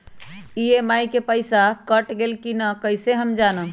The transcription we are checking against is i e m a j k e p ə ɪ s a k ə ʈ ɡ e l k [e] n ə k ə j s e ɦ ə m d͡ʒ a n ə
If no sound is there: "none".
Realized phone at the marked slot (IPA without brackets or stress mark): i